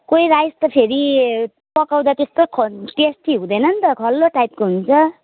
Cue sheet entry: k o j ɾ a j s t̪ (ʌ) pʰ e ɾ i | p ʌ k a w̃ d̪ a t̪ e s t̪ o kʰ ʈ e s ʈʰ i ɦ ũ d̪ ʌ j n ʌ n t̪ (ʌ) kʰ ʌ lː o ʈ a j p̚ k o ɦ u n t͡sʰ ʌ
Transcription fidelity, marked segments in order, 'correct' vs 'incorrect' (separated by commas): correct, correct